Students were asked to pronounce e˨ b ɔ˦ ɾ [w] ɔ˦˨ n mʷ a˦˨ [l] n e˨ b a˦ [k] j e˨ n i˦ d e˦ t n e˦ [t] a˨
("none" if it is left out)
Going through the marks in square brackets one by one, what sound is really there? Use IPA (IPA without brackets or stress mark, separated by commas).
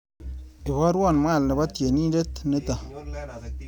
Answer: w, l, t, t